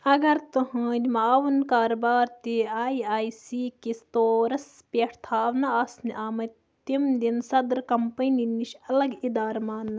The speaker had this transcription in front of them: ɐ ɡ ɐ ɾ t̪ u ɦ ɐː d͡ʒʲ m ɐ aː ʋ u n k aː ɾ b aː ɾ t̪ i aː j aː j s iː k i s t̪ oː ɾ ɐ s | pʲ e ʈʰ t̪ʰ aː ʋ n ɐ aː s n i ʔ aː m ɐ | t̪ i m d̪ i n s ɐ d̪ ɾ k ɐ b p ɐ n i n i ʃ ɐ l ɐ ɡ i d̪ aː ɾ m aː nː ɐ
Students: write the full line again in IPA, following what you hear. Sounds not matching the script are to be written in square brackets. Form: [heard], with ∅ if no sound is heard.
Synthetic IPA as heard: ɐ ɡ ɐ ɾ t̪ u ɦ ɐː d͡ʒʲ m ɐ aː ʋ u n k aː ɾ b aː ɾ t̪ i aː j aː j s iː k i s t̪ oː ɾ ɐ s | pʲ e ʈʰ t̪ʰ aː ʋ n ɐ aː s n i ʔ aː m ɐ | t̪ i m d̪ i n s ɐ d̪ ɾ k ɐ [m] p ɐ n i n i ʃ ɐ l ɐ ɡ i d̪ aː ɾ m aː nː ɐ